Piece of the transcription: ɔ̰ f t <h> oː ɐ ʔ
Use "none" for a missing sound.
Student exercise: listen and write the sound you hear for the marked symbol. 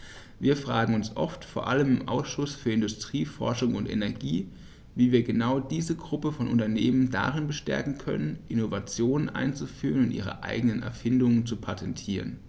f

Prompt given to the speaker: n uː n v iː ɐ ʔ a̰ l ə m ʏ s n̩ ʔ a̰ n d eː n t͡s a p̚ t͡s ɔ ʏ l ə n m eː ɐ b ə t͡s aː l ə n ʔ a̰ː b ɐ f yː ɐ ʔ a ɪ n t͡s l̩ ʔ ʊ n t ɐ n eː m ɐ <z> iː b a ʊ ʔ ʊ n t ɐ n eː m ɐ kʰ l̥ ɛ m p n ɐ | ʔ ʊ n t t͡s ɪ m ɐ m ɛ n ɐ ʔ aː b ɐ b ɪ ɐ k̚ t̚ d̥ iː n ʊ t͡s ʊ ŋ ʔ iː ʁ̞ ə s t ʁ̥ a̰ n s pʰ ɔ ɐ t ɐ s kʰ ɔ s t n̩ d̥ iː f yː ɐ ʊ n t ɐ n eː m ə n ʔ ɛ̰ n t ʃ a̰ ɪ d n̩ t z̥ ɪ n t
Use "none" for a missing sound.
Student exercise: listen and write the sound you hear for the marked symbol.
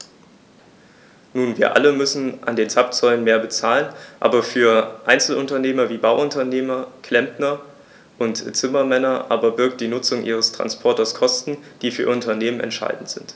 v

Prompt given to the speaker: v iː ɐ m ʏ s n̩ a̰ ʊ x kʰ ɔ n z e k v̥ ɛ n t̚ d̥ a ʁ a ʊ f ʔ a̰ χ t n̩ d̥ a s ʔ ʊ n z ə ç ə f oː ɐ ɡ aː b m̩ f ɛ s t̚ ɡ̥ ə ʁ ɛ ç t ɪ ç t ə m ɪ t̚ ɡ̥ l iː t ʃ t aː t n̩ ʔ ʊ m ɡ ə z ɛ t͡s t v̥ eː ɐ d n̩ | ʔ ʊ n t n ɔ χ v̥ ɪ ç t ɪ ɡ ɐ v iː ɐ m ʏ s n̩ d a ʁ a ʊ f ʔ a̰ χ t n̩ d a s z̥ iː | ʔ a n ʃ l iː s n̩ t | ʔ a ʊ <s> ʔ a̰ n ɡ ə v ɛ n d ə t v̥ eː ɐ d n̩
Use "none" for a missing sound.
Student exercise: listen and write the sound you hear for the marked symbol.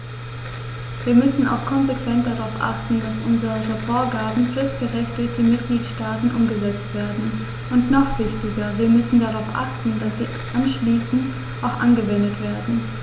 x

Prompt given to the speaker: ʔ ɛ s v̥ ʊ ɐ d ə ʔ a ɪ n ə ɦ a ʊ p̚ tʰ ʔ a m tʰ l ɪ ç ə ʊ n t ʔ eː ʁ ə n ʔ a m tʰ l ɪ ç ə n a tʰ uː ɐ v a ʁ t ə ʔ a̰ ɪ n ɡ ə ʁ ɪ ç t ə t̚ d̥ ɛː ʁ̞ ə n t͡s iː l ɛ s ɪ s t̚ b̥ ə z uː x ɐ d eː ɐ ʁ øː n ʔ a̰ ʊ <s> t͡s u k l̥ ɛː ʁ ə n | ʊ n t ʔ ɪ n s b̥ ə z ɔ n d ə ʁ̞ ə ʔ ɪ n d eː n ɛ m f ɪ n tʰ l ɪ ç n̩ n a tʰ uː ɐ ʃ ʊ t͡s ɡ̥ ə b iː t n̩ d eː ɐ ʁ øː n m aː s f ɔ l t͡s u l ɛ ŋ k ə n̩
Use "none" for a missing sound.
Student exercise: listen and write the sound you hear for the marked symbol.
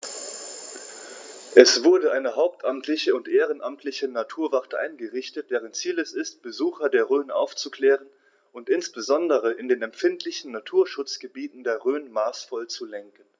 f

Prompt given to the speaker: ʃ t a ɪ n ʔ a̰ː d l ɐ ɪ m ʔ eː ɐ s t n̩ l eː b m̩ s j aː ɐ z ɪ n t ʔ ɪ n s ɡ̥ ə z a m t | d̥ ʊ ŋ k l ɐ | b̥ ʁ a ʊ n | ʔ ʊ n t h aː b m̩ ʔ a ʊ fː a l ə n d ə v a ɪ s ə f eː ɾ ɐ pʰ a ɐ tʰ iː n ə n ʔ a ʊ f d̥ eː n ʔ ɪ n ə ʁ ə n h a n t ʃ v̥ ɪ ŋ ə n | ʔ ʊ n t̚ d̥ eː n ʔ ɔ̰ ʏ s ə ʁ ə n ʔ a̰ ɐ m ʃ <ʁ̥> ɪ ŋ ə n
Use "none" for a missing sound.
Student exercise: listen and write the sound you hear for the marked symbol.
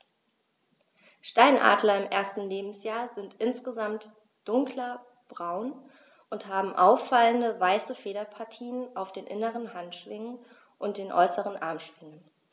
v̥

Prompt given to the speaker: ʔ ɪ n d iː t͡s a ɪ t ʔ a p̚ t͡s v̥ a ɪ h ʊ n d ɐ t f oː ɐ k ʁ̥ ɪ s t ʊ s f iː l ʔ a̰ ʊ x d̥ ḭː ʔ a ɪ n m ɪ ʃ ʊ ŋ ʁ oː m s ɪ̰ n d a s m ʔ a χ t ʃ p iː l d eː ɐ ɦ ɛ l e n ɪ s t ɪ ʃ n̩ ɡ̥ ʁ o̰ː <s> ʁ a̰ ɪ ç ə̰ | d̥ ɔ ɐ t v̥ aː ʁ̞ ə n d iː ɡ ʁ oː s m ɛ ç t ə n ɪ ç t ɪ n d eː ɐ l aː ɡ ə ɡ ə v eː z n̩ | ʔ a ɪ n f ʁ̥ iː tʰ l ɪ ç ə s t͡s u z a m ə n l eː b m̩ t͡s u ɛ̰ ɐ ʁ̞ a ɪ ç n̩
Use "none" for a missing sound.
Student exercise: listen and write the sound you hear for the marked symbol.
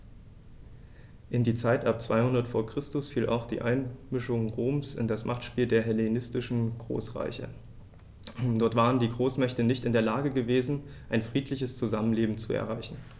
s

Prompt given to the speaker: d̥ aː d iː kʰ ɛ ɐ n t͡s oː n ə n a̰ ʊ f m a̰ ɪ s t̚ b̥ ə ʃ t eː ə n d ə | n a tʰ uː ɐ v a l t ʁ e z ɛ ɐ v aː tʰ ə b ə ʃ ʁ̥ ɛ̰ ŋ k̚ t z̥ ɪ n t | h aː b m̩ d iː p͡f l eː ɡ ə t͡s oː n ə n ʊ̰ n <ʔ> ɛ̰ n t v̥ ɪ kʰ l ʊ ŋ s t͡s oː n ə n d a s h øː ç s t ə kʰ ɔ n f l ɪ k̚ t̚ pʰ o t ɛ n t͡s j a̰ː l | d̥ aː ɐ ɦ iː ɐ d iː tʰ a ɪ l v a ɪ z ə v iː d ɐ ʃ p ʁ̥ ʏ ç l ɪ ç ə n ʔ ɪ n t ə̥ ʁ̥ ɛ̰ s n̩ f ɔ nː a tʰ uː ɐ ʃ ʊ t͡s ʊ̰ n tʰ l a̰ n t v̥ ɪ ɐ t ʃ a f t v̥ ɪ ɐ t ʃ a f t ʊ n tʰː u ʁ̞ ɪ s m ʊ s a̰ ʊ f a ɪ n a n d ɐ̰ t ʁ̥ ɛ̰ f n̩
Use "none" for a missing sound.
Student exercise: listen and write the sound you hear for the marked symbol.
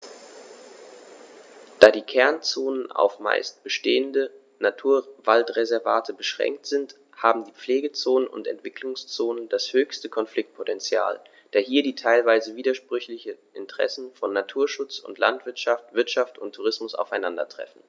t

